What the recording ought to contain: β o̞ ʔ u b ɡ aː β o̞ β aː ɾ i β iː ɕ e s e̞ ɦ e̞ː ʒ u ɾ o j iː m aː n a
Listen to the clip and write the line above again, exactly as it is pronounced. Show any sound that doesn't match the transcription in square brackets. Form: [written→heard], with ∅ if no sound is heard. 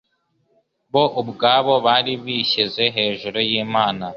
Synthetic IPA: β o̞ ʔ u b ɡ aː β o̞ β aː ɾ i β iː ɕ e [s→z] e̞ ɦ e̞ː ʒ u ɾ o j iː m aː n a